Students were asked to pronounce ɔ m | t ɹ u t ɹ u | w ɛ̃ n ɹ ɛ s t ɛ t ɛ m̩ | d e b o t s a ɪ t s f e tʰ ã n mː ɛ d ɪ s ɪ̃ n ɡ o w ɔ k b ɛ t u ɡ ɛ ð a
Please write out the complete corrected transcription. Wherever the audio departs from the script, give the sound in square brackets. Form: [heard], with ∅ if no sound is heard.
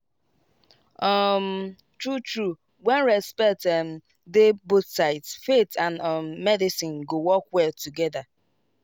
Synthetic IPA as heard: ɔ m | t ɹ u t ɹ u | w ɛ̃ n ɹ ɛ s [p] ɛ t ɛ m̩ | d e b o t s a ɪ t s f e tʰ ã n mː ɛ d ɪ s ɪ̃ n ɡ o w ɔ k [w] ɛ t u ɡ ɛ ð a